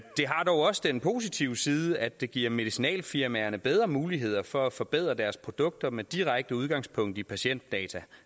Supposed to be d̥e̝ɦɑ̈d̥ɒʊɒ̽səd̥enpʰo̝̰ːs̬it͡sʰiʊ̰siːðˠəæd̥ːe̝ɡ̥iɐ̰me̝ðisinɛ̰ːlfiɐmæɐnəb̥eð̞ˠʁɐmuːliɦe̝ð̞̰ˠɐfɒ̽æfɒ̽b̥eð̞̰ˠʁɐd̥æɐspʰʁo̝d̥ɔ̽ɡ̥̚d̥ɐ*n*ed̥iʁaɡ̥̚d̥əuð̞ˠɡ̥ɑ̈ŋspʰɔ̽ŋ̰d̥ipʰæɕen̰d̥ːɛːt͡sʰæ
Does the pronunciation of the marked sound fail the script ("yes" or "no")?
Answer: yes